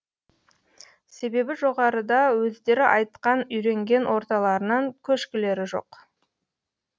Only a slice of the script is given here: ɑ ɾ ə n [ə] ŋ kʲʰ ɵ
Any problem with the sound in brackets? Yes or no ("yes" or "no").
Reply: yes